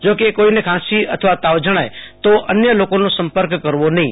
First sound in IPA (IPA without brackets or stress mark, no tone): d͡ʒ